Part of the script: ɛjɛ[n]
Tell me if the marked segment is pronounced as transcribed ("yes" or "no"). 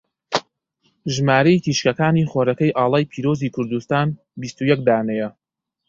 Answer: no